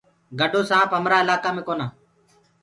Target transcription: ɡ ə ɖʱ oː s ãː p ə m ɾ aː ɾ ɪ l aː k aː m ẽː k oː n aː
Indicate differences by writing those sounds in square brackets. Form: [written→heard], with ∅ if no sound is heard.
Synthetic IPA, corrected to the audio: ɡ ə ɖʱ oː s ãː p ə m ɾ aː [ɾ→∅] ɪ l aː k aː m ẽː k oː n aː